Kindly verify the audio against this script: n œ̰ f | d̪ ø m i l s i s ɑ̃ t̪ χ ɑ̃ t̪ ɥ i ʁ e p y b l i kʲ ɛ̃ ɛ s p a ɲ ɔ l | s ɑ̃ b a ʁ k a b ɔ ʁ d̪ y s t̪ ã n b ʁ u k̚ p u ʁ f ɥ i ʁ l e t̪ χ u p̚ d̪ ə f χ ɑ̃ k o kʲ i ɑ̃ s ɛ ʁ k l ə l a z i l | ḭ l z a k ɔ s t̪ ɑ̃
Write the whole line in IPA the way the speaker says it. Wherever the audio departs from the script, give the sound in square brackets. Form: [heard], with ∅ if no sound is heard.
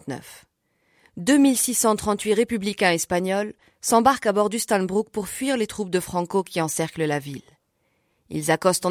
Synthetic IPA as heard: n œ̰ f | d̪ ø m i l s i s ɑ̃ t̪ χ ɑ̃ t̪ ɥ i ʁ e p y b l i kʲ ɛ̃ ɛ s p a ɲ ɔ l | s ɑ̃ b a ʁ k a b ɔ ʁ d̪ y s t̪ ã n b ʁ u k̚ p u ʁ f ɥ i ʁ l e t̪ χ u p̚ d̪ ə f χ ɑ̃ k o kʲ i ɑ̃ s ɛ ʁ k l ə l a [v] i l | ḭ l z a k ɔ s t̪ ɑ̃